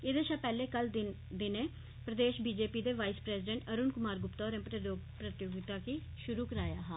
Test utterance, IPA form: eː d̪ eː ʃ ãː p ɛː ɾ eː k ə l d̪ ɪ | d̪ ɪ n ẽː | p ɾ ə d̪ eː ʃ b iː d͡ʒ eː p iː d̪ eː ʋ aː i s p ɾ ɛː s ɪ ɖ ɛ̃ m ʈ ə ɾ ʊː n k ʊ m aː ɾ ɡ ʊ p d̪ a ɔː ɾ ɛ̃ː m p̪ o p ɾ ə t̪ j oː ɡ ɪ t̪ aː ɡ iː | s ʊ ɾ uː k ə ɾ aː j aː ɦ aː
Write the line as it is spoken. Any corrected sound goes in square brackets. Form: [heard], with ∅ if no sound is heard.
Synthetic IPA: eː d̪ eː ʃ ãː p ɛː [l] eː k ə l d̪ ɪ | d̪ ɪ n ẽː | p ɾ ə d̪ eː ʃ b iː d͡ʒ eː p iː d̪ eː ʋ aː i s p ɾ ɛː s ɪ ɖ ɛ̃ [ɳ] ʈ ə ɾ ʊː n k ʊ m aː ɾ ɡ ʊ p [t̪] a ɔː ɾ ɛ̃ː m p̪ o p ɾ ə t̪ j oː ɡ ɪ t̪ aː [k] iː | [ʃ] ʊ ɾ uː k ə ɾ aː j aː ɦ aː